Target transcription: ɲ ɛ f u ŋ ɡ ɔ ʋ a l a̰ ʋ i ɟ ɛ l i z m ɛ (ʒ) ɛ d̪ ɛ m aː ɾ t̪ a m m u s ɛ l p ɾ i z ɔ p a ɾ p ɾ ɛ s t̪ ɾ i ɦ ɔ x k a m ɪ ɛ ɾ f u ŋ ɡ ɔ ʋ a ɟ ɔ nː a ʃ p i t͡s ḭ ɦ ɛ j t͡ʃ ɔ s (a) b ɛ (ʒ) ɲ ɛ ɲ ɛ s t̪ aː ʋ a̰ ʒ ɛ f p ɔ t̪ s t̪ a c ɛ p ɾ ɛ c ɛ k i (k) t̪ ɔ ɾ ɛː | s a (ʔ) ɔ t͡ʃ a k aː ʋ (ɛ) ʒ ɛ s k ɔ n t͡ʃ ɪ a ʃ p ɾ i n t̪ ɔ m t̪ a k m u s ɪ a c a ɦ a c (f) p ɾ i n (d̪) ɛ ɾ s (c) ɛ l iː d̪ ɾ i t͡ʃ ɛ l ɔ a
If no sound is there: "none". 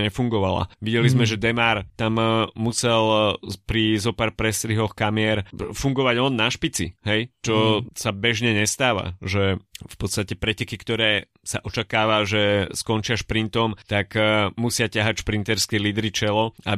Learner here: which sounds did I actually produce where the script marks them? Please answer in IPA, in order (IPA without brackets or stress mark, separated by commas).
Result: ʒ, a, ʒ, k, ʔ, a, ʃ, t̪, k